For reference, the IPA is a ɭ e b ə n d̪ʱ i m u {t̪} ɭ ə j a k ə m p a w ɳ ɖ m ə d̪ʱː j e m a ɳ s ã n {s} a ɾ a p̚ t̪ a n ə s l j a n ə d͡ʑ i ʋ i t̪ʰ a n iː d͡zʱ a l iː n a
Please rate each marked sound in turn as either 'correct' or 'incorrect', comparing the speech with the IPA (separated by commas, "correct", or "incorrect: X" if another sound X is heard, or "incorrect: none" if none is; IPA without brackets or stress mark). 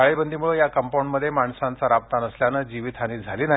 incorrect: none, incorrect: t͡s